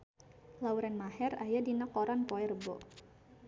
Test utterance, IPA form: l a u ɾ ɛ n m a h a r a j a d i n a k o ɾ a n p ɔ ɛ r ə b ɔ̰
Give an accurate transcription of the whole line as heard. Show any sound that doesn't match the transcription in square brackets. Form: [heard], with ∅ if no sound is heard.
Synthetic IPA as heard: l a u ɾ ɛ n m a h [ɛ] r a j a d i n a k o ɾ a n p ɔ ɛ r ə b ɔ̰